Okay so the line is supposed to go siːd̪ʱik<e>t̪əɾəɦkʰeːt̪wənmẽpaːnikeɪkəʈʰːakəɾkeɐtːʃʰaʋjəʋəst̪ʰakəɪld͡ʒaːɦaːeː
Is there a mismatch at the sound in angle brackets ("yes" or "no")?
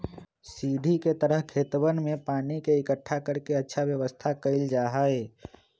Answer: no